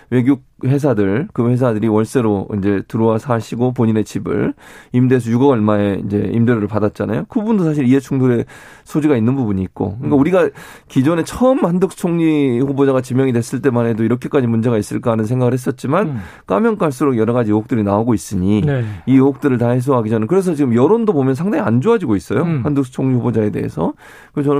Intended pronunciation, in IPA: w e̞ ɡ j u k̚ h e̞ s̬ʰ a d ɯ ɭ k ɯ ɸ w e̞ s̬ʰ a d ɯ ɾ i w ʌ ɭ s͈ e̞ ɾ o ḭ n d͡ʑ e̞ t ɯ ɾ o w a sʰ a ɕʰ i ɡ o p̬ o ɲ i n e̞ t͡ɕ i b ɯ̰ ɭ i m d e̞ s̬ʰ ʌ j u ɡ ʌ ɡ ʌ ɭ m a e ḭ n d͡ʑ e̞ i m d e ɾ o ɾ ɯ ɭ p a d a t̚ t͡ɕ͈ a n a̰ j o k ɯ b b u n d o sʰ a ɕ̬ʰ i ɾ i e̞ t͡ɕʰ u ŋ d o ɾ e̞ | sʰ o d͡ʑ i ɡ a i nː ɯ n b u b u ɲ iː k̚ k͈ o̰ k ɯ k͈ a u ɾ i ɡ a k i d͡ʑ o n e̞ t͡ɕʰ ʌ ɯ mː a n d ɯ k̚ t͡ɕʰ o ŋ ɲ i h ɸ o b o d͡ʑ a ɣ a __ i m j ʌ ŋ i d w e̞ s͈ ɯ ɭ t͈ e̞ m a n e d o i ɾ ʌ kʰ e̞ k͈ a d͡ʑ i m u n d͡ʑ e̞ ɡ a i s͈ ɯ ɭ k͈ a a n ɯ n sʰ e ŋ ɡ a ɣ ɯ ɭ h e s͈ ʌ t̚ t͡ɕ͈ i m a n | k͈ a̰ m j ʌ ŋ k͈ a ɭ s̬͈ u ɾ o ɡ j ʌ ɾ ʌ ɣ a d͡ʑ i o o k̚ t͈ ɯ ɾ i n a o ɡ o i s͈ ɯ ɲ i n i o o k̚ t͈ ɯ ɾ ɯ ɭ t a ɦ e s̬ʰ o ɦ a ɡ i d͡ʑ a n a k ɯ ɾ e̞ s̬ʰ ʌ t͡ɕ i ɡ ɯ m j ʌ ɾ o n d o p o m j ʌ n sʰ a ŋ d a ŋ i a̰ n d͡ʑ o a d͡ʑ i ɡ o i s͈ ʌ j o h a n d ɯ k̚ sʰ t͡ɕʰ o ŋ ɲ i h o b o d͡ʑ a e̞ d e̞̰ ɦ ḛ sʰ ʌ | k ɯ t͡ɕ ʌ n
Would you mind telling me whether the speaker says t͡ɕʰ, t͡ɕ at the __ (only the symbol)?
t͡ɕ